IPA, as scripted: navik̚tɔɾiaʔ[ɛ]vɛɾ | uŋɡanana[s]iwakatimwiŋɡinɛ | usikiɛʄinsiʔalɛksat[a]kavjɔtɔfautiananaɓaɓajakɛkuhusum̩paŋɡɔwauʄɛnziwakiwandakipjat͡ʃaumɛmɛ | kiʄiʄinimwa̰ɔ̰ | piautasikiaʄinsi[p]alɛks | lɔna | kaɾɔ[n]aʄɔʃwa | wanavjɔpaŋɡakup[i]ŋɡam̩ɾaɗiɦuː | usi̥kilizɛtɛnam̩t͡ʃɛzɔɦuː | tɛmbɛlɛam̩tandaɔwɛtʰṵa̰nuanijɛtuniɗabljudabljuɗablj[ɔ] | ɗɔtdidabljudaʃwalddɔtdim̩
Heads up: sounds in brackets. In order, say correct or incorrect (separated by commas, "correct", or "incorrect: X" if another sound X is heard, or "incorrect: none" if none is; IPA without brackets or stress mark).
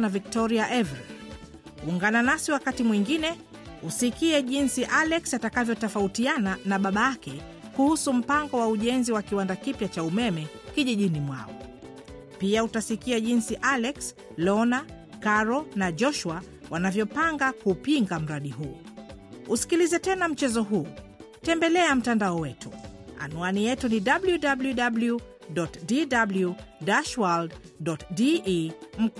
correct, correct, correct, incorrect: ʔ, correct, correct, incorrect: u